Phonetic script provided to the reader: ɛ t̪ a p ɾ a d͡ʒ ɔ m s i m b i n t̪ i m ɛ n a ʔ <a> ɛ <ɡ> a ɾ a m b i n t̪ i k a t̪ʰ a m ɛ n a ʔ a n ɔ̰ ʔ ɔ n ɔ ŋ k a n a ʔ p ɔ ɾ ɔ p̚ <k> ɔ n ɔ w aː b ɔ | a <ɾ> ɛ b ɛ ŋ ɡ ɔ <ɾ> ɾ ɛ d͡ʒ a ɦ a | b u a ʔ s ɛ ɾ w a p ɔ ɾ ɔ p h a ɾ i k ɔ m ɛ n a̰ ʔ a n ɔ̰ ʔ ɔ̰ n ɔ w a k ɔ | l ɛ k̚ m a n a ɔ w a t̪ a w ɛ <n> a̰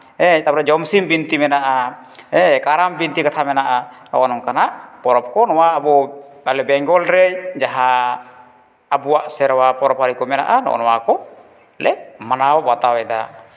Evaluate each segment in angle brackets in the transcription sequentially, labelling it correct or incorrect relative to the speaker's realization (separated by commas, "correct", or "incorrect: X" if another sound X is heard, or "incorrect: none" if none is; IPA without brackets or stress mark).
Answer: correct, incorrect: k, correct, incorrect: l, incorrect: l, incorrect: d